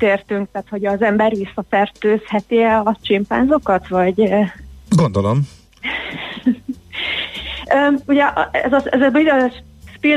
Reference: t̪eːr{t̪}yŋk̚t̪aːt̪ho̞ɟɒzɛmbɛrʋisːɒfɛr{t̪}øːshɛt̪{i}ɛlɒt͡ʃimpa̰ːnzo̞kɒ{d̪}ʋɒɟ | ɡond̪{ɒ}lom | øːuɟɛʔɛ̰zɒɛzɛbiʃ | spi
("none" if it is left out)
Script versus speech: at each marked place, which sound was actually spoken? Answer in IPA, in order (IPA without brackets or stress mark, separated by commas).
t̪, t̪, i, t̪, o